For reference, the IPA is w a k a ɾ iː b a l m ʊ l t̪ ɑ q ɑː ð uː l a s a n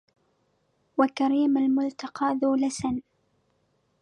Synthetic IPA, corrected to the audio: w a k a ɾ iː m a l m ʊ l t̪ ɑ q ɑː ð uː l a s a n